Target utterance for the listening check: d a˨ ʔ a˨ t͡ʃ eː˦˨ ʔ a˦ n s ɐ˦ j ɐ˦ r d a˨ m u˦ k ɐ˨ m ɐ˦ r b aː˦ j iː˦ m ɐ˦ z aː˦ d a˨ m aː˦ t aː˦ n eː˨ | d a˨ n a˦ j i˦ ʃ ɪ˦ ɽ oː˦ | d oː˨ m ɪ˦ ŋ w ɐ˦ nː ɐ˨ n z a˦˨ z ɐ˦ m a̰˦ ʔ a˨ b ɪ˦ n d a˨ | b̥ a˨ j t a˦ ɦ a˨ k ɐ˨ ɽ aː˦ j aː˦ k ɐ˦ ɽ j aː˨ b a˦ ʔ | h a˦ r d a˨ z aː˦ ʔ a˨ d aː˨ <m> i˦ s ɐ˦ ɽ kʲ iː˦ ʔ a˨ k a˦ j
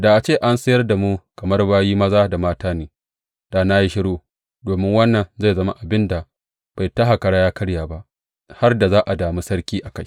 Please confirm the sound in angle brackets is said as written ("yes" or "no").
yes